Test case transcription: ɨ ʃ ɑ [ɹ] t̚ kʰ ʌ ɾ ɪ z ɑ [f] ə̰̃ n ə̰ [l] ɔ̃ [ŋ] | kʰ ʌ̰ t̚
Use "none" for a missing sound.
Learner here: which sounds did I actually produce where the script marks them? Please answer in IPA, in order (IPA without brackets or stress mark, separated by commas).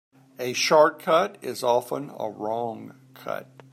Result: ɹ, f, ɹ, ŋ